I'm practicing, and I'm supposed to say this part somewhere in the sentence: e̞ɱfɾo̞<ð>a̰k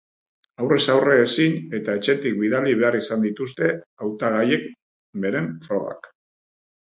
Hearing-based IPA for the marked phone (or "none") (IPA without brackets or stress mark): ɣ